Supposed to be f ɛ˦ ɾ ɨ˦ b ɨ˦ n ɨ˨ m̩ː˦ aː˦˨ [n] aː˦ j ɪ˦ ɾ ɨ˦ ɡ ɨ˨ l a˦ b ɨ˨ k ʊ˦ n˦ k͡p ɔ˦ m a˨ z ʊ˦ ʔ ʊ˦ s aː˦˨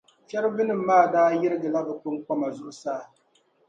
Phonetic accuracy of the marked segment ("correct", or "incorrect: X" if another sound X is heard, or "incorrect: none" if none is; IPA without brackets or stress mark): incorrect: d